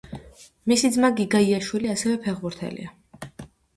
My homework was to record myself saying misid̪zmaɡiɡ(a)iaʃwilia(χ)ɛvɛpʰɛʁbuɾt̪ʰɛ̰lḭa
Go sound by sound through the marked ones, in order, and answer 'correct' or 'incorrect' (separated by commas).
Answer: correct, incorrect